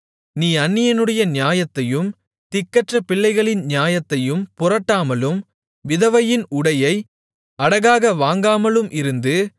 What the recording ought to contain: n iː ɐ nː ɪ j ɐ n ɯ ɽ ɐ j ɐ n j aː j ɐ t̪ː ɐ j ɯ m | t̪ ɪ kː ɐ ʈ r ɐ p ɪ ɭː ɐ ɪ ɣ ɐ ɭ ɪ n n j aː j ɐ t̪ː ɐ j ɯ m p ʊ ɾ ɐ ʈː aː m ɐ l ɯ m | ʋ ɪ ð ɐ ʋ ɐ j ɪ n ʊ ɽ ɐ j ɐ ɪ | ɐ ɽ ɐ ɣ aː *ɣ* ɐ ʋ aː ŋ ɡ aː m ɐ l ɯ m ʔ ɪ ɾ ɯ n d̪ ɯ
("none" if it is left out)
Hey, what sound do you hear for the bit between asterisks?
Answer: ɣ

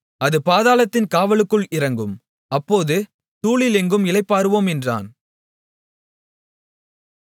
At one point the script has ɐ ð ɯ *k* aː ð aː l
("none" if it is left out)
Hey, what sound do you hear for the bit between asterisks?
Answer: p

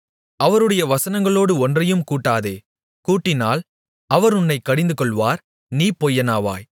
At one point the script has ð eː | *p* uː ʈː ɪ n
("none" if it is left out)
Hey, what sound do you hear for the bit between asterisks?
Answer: k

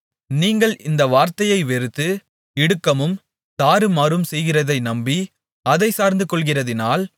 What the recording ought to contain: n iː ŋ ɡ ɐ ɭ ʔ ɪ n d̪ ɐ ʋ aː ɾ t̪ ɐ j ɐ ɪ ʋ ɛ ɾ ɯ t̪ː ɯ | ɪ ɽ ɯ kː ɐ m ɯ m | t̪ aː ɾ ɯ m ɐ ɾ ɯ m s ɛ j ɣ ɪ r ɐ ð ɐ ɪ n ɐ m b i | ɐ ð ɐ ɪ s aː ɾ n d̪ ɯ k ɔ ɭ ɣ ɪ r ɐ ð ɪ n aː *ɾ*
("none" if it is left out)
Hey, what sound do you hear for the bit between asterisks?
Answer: l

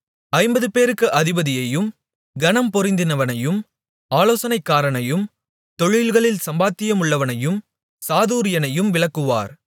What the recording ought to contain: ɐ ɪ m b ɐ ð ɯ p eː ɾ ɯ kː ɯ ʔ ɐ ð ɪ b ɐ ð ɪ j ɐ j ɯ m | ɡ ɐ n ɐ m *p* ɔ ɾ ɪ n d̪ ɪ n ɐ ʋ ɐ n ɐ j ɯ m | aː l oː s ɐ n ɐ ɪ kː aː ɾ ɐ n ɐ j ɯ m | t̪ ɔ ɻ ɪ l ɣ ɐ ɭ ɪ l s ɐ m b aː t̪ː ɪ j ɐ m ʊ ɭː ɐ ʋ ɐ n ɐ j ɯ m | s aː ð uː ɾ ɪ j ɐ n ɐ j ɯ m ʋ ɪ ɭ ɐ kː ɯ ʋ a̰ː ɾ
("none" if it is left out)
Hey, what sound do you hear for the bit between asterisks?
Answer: p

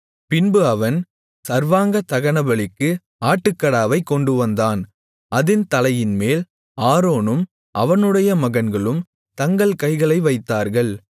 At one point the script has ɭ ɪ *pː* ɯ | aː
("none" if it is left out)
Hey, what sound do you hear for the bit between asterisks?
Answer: kː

